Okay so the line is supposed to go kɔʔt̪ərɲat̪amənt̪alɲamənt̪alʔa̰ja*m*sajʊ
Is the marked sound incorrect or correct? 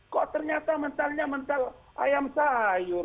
correct